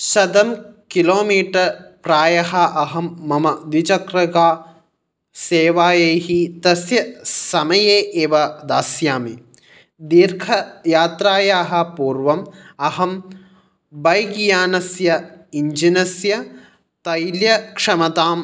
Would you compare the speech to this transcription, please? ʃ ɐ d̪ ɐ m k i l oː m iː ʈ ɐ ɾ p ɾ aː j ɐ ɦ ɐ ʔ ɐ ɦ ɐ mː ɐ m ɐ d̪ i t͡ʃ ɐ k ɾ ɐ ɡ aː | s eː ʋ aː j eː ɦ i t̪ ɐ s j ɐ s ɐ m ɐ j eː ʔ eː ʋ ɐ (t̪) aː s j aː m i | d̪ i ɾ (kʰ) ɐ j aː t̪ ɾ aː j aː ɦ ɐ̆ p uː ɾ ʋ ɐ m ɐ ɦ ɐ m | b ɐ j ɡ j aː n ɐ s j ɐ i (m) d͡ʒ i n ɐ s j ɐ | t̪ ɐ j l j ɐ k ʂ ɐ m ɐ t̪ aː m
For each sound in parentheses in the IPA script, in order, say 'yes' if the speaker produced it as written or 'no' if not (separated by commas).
no, yes, no